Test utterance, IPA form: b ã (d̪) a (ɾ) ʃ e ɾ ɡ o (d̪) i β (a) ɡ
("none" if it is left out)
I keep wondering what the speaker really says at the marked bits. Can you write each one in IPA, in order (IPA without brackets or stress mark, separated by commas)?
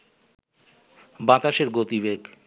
t̪, none, t̪, e